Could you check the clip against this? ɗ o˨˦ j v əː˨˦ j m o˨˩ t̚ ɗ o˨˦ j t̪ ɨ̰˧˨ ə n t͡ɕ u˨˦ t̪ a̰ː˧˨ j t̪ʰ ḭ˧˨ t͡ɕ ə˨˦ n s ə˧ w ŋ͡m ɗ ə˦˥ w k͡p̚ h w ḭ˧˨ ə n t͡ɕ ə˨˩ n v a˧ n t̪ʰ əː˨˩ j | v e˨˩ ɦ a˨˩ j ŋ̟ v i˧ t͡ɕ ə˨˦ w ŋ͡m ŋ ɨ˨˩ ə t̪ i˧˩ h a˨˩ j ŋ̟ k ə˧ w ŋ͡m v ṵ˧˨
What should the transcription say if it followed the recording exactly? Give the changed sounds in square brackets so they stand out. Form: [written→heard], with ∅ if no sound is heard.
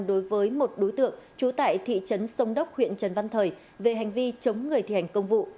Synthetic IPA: ɗ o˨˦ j v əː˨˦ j m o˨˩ t̚ ɗ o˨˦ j t̪ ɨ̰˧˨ ə [n→ŋ] t͡ɕ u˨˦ t̪ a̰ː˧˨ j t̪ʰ ḭ˧˨ t͡ɕ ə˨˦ n s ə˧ w ŋ͡m ɗ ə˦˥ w k͡p̚ h w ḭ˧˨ ə n t͡ɕ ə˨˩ n v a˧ n t̪ʰ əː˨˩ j | v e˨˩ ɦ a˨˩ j ŋ̟ v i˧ t͡ɕ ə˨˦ w ŋ͡m ŋ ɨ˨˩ ə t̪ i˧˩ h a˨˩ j ŋ̟ k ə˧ w ŋ͡m v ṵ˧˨